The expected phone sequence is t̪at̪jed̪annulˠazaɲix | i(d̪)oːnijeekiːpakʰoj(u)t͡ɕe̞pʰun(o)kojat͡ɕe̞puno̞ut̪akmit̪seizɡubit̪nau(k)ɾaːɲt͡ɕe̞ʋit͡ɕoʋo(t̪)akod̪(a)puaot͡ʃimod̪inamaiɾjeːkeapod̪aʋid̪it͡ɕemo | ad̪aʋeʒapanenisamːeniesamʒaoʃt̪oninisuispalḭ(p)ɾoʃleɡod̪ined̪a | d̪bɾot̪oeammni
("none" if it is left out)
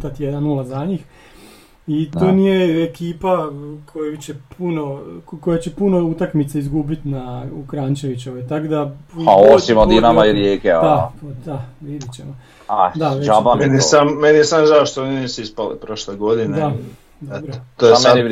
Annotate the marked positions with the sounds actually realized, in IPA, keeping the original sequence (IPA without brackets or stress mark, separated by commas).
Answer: t̪, u, o, k, t̪, a, p